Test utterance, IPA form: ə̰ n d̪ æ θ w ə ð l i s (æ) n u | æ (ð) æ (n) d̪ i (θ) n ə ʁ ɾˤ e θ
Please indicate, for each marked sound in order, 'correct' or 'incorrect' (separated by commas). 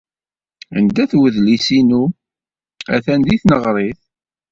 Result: incorrect, incorrect, correct, correct